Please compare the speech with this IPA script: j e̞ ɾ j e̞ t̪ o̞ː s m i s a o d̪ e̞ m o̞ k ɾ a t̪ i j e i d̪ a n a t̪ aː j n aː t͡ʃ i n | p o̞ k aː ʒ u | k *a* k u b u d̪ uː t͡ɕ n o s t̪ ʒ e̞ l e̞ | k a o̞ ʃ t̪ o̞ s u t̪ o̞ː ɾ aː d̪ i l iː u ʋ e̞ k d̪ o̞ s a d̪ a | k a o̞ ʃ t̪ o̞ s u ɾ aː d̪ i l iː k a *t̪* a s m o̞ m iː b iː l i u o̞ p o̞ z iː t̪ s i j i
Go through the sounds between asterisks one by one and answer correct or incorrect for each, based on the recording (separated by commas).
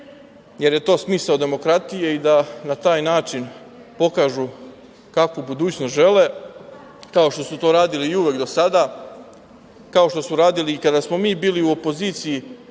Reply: correct, incorrect